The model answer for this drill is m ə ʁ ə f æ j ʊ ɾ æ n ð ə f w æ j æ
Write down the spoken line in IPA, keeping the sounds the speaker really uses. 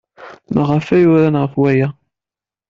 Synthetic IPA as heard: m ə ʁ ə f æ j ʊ ɾ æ n ʁ ə f w æ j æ